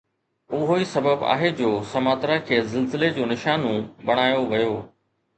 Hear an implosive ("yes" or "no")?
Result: no